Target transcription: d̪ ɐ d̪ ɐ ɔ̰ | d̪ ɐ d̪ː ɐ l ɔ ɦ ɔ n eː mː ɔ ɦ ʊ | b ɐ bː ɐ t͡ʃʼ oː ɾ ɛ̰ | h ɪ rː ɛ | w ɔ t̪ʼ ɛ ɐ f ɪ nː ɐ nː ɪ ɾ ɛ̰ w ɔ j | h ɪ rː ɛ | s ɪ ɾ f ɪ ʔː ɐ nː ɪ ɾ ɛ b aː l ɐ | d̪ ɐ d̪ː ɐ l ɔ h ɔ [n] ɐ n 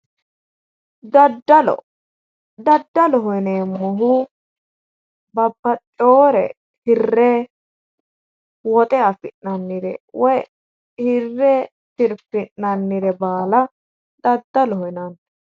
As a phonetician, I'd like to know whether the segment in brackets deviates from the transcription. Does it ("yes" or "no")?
no